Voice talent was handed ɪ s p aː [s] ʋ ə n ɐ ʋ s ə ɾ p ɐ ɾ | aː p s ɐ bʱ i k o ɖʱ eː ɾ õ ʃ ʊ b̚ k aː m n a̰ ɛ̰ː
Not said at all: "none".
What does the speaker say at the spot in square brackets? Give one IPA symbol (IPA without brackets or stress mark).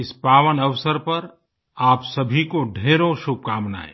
none